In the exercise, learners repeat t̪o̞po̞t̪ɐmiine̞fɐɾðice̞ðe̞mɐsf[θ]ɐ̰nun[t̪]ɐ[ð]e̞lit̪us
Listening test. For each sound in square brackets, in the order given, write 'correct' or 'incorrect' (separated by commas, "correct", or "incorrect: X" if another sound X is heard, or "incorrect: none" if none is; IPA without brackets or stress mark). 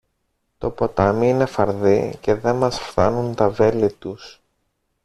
correct, correct, incorrect: v